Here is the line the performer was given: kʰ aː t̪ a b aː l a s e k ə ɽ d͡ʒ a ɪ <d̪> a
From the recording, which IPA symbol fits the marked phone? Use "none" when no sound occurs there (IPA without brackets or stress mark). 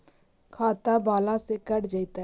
t̪